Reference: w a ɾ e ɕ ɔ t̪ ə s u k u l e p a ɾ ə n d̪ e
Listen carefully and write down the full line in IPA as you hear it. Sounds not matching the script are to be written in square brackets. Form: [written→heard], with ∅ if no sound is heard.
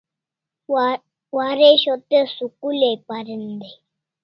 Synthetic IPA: w a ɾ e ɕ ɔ t̪ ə s u k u l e p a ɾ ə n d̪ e